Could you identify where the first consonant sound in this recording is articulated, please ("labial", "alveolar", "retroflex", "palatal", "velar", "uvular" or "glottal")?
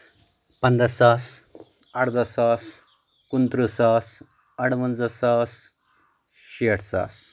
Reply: labial